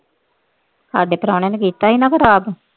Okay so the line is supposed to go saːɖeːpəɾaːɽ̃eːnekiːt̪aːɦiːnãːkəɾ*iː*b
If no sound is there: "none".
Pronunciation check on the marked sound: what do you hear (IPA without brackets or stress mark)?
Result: aː